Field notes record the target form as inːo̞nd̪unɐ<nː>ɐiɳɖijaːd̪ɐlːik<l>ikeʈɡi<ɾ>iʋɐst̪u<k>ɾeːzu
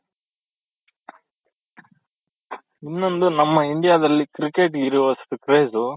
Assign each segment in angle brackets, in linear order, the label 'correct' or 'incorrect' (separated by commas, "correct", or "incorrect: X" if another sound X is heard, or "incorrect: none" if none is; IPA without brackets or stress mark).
incorrect: mː, incorrect: ɾ, correct, correct